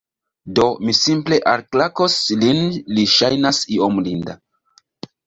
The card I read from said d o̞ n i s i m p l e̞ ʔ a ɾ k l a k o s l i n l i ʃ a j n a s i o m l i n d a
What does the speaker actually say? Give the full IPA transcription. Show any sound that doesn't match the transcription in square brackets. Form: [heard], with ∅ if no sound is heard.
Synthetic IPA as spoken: d o̞ [m] i s i m p l e̞ ʔ a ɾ k l a k o s l i n l i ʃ a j n a s i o m l i n d a